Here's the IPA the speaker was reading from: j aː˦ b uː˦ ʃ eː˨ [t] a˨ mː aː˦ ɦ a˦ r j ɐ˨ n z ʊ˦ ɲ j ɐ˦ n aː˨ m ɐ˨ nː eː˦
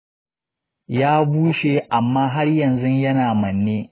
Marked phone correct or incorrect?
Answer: incorrect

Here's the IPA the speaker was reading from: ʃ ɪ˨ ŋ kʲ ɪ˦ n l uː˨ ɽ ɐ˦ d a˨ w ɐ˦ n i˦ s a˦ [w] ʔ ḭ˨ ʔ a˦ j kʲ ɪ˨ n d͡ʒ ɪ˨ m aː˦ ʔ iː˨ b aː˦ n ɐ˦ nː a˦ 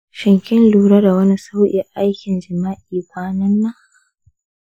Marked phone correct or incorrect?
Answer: correct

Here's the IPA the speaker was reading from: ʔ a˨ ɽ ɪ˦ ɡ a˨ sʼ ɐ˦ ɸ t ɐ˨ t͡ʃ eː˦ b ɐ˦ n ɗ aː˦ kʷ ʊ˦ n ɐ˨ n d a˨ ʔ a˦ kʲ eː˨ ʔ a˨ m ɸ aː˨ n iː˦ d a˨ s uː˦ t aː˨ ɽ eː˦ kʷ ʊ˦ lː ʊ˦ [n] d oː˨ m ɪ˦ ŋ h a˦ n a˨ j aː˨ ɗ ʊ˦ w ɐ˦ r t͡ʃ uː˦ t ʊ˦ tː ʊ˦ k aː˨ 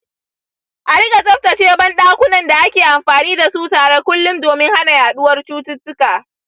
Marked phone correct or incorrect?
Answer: incorrect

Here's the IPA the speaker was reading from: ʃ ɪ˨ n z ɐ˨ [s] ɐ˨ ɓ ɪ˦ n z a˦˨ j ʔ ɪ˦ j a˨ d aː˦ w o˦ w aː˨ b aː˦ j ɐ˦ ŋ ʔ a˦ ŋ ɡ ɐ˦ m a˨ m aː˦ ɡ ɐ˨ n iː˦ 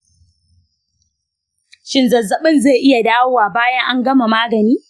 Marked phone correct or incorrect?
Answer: incorrect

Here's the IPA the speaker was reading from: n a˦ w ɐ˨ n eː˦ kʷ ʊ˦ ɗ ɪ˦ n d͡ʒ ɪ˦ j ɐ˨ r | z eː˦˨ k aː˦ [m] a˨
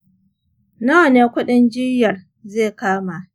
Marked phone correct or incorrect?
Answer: correct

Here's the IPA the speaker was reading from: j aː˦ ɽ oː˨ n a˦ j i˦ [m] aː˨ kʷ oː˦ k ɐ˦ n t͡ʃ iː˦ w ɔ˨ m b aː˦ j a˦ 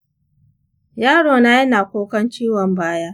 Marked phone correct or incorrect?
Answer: incorrect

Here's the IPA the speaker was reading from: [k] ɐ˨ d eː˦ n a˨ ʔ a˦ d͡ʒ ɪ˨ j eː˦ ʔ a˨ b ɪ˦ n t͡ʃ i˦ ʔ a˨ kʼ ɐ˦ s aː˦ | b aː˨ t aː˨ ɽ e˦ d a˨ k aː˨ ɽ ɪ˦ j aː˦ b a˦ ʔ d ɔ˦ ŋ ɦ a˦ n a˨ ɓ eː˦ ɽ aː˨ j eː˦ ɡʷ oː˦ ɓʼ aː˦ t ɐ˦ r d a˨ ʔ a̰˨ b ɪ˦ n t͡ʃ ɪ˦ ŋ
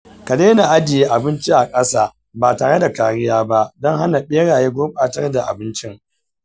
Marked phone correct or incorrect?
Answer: correct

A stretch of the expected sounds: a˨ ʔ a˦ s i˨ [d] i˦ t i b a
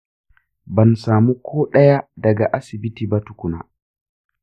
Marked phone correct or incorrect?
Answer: incorrect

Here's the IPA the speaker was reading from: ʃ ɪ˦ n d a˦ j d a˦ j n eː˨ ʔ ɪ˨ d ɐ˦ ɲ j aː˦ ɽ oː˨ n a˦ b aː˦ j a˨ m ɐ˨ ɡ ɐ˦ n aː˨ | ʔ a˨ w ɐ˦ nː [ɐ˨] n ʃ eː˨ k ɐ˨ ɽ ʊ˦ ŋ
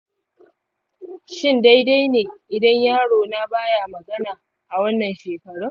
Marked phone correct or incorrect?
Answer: correct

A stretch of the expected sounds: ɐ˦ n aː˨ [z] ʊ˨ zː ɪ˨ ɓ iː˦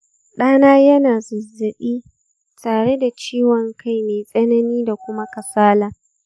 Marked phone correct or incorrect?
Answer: correct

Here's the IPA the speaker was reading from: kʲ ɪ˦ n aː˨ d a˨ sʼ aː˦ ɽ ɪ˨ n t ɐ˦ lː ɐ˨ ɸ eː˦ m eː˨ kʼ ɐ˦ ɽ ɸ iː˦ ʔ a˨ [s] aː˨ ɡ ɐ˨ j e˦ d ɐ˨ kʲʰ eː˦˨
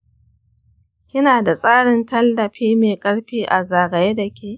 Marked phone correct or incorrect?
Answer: incorrect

